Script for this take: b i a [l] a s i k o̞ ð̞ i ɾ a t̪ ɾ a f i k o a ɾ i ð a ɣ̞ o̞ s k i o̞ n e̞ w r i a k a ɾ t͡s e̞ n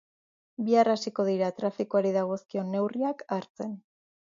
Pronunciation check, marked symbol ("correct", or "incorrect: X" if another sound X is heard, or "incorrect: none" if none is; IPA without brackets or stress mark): incorrect: r